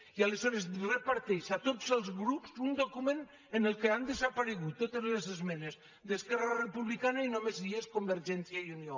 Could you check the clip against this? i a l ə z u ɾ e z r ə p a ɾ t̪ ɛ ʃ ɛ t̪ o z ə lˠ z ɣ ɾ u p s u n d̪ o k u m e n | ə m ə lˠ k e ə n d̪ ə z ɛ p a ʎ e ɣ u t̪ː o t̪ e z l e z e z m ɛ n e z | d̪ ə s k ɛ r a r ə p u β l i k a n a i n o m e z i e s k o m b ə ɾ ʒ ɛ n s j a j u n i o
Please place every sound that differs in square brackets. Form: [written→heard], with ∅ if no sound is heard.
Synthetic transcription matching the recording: i a l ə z [u→ɔ] ɾ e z r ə p a ɾ t̪ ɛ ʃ [ɛ→a] t̪ o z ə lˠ z ɣ ɾ u p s u n d̪ o k u m e n | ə [m→n] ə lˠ k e [ə→a] n d̪ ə z [ɛ→a] p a [ʎ→ɾ] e ɣ u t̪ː o t̪ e z l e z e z m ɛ n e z | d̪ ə s k ɛ r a r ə p u β l i k a n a i n o m e z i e s k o m b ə ɾ ʒ ɛ n s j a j u n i o